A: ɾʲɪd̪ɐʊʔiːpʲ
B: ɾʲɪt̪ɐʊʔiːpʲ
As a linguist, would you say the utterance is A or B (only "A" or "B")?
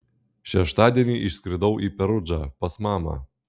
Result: A